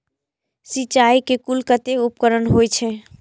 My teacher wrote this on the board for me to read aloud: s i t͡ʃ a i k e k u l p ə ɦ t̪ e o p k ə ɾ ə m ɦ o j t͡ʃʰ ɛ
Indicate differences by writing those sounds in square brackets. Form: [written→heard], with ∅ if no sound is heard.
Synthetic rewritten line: s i t͡ʃ a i k e k u l [p→k] ə [ɦ→∅] t̪ e [o→u] p k ə ɾ ə [m→n] ɦ o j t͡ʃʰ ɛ